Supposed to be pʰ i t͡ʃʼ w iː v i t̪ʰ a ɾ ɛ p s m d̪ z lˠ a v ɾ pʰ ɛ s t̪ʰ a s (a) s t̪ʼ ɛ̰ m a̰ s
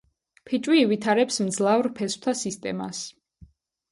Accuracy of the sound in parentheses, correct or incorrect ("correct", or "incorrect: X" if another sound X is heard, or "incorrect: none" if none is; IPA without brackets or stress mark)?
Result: incorrect: i